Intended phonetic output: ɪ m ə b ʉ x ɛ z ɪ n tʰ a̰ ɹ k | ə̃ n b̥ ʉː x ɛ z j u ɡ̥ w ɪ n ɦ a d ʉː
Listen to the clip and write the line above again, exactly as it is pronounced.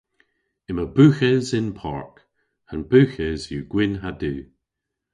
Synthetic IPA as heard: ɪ m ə b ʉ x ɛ z ɪ n pʰ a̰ ɹ k | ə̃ n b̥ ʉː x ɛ z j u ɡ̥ w ɪ n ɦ a d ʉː